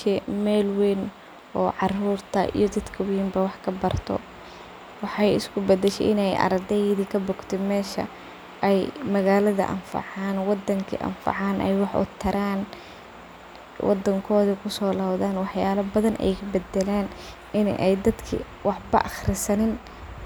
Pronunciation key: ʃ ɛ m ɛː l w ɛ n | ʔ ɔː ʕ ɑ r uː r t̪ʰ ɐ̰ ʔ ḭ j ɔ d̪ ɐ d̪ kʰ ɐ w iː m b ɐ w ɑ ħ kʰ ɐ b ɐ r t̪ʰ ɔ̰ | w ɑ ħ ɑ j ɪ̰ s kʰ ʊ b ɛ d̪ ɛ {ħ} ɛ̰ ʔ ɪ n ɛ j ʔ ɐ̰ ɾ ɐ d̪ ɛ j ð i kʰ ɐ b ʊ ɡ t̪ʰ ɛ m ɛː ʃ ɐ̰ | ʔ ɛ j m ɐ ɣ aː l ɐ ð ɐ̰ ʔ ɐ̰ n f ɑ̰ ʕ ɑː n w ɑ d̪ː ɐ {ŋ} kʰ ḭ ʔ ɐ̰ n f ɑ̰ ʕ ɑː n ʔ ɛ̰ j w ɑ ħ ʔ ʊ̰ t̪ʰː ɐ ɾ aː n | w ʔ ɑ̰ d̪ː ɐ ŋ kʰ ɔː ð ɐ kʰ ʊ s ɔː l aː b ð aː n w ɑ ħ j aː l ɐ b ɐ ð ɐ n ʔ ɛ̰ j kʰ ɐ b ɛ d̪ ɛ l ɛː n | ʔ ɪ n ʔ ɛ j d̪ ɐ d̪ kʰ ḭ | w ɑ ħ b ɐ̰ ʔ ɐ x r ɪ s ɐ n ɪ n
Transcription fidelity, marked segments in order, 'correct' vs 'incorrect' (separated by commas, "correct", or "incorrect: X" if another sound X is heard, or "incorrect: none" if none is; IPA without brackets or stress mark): incorrect: ʃ, correct